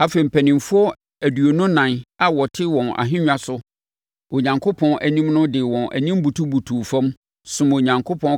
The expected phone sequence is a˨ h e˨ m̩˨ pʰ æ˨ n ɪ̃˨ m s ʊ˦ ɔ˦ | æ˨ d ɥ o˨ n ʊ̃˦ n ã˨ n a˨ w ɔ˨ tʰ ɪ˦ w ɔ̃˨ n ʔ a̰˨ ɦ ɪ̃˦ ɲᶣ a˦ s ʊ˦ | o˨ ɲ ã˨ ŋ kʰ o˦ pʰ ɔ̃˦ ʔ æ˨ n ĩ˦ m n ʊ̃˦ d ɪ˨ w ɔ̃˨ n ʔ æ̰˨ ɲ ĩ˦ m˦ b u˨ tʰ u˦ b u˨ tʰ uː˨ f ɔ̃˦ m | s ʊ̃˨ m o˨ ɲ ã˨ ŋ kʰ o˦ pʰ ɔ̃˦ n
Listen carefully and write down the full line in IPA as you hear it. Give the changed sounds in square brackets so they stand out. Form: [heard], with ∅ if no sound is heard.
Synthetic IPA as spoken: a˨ [f] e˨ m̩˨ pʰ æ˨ n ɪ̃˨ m [f] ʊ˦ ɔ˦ | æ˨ d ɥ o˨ n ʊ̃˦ n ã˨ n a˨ w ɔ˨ tʰ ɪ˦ w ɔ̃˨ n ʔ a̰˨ ɦ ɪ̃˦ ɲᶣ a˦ s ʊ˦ | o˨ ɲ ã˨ ŋ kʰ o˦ pʰ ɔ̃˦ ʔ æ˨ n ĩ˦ m n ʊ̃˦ d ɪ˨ w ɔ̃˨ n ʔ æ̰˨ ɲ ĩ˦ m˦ b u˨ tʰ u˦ b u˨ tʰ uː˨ f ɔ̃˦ m | s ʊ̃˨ m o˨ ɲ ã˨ ŋ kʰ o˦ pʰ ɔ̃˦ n